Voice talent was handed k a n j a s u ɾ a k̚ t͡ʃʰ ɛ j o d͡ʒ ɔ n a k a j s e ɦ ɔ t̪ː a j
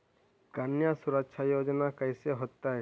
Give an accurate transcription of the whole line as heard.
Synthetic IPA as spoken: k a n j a s u ɾ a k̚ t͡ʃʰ a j o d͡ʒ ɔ n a k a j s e ɦ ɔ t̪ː a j